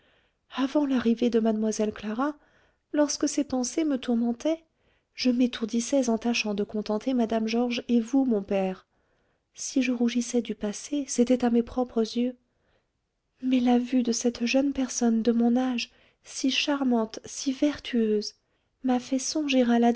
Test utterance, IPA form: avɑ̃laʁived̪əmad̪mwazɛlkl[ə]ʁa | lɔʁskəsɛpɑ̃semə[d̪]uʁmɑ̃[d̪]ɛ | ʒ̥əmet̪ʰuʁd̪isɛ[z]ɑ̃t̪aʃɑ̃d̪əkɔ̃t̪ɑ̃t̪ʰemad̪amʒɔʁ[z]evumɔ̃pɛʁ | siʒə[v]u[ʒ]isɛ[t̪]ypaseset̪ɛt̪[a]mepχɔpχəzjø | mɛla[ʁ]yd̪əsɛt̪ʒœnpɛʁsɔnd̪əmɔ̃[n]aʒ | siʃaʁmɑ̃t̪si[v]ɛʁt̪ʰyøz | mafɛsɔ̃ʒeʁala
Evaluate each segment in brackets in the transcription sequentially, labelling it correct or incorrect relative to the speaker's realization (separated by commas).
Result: incorrect, incorrect, incorrect, correct, incorrect, incorrect, correct, incorrect, correct, incorrect, correct, correct